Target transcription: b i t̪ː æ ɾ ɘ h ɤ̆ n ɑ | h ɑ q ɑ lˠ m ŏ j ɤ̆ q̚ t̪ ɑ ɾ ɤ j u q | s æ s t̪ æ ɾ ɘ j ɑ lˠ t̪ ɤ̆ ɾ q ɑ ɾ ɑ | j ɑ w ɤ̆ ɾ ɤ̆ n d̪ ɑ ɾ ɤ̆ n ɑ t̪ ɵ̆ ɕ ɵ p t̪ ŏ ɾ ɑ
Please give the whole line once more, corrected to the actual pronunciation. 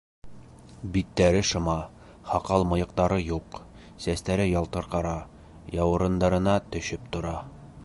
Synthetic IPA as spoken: b i t̪ː æ ɾ ɘ ʃ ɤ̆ m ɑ | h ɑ q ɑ lˠ m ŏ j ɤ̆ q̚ t̪ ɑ ɾ ɤ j u q | s æ s t̪ æ ɾ ɘ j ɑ lˠ t̪ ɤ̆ ɾ q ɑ ɾ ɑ | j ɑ w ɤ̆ ɾ ɤ̆ n d̪ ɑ ɾ ɤ̆ n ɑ t̪ ɵ̆ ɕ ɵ p t̪ ŏ ɾ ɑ